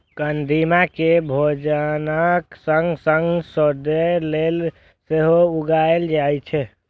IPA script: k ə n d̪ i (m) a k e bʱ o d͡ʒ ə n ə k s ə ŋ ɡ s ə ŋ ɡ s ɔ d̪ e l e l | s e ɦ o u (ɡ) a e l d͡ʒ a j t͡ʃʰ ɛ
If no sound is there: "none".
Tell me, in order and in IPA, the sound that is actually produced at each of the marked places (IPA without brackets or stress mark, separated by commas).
m, ɡ